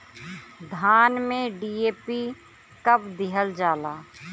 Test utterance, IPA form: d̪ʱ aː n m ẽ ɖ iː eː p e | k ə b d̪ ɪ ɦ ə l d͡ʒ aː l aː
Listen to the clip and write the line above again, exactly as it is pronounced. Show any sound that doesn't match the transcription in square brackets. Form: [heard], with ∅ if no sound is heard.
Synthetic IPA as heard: d̪ʱ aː n m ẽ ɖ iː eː p [i] | k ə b d̪ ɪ ɦ ə l d͡ʒ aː l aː